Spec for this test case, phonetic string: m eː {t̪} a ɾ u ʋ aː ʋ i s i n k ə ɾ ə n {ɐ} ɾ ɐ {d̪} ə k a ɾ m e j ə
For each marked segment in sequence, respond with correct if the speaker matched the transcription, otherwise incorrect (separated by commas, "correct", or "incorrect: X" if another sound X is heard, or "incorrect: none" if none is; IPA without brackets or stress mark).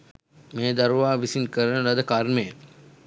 incorrect: d̪, incorrect: ə, correct